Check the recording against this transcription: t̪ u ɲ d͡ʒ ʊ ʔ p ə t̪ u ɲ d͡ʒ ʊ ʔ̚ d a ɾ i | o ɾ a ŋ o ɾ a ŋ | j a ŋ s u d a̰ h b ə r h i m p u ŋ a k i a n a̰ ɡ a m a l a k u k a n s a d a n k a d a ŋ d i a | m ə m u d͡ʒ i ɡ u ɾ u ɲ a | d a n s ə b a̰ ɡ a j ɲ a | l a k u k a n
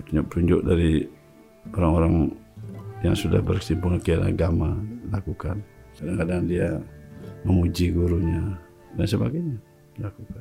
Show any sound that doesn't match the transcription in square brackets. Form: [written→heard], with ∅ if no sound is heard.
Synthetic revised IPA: t̪ u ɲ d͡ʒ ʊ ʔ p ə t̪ u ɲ d͡ʒ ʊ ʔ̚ d a ɾ i | o ɾ a ŋ o ɾ a ŋ | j a ŋ s u d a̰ h b ə r [h→s] i m p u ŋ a k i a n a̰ ɡ a m a l a k u k a n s a d a [n→ŋ] k a d a ŋ d i a | m ə m u d͡ʒ i ɡ u ɾ u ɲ a | d a n s ə b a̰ ɡ a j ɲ a | l a k u k a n